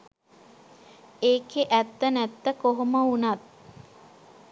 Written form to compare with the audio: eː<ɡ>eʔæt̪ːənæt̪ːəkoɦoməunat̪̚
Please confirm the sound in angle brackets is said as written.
no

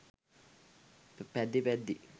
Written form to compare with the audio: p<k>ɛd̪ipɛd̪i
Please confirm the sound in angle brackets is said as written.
no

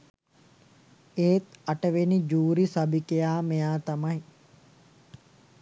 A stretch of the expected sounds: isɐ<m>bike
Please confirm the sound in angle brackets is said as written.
no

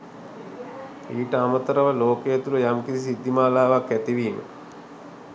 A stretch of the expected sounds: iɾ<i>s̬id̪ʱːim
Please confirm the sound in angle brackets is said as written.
yes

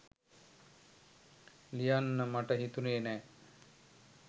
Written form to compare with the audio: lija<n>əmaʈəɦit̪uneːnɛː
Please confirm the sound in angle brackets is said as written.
no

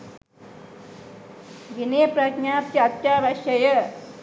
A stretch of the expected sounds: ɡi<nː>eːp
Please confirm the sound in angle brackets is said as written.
no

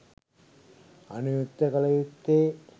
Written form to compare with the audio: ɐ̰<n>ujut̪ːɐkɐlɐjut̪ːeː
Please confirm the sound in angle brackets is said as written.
yes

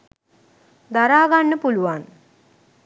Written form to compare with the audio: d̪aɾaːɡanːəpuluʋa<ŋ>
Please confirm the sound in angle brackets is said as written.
no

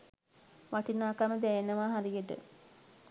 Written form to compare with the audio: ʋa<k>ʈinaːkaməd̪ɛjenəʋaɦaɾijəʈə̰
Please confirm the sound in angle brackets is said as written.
no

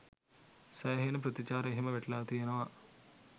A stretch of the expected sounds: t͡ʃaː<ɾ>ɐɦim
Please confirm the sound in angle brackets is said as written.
yes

